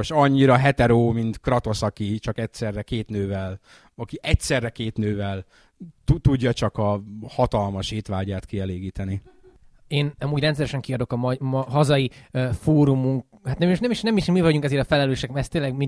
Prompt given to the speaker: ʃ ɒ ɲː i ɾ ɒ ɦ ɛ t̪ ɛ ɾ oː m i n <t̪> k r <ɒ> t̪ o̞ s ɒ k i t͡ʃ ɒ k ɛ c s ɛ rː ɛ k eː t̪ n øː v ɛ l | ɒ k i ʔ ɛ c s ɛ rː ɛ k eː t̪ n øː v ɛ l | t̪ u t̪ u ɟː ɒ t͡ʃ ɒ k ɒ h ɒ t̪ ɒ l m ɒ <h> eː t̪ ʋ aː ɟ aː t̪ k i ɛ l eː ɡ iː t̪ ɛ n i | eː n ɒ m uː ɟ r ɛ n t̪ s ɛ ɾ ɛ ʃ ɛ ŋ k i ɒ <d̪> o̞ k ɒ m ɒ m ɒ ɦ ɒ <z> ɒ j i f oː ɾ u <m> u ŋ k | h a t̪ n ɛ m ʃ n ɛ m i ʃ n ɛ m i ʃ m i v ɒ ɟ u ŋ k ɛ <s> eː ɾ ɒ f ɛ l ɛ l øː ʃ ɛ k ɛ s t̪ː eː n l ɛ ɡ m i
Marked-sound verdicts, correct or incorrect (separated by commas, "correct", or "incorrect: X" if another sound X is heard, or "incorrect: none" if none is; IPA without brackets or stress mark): correct, correct, incorrect: ʃ, correct, correct, correct, incorrect: z